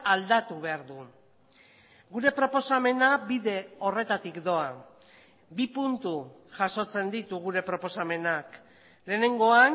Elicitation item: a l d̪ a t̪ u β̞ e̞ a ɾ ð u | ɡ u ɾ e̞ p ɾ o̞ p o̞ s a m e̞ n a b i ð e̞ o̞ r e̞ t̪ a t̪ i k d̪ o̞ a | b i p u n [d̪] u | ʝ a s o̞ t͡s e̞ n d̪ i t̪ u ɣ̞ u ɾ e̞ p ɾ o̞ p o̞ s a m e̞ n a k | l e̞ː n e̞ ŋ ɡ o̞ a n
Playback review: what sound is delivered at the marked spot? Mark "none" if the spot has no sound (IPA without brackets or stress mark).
t̪